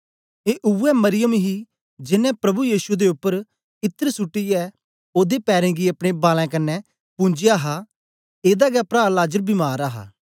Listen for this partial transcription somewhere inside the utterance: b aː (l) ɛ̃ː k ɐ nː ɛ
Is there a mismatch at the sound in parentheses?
no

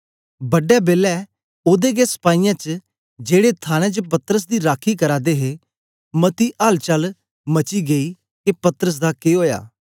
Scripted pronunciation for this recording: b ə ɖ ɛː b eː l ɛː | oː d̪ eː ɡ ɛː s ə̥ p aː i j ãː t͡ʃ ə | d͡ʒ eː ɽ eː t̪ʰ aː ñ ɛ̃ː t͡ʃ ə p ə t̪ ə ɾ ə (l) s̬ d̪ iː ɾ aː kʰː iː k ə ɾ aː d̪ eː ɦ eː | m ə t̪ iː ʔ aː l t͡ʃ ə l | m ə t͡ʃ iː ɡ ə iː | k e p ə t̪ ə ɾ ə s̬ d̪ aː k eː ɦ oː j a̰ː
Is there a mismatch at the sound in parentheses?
yes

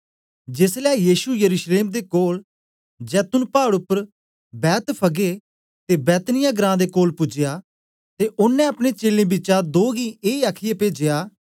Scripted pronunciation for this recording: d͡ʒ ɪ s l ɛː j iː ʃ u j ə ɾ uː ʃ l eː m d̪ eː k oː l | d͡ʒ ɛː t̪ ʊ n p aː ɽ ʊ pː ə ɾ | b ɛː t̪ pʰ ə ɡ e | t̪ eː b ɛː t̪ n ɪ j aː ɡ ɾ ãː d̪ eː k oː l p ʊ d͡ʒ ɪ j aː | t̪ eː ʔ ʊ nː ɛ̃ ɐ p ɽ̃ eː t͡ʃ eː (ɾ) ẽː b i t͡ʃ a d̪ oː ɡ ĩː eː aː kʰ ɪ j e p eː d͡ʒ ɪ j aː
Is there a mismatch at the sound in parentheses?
yes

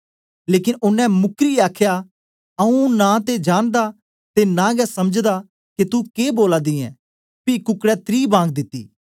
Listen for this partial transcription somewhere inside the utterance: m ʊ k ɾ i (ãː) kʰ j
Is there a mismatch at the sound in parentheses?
yes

